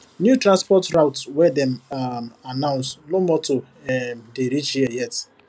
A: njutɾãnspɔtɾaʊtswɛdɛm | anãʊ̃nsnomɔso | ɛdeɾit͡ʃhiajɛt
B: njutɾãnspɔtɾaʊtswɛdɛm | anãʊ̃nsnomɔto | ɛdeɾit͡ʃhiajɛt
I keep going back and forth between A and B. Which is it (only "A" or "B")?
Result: B